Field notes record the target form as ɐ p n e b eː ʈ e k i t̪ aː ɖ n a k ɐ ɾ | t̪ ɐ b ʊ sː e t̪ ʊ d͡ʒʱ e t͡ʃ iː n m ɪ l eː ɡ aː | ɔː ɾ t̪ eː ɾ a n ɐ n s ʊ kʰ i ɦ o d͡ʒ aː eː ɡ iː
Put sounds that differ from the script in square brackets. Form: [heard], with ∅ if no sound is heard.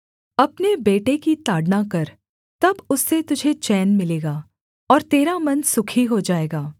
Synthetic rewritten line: ɐ p n e b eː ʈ e k i t̪ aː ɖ n a k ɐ ɾ | t̪ ɐ b ʊ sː e t̪ ʊ d͡ʒʱ e t͡ʃ [ɛː] n m ɪ l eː ɡ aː | ɔː ɾ t̪ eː ɾ a [m] ɐ n s ʊ kʰ i ɦ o d͡ʒ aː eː ɡ [aː]